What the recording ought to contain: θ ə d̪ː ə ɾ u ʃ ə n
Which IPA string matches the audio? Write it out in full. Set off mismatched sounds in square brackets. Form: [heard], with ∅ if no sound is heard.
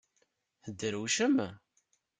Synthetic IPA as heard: θ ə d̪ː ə ɾ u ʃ ə [m]